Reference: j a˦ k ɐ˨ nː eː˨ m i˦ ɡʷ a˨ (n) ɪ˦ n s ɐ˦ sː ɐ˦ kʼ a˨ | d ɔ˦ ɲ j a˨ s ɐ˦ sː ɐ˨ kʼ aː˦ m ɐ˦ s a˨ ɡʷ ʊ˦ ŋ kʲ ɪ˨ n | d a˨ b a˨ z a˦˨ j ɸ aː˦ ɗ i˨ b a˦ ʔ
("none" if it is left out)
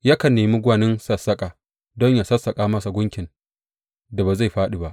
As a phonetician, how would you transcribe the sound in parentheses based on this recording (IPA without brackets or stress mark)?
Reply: n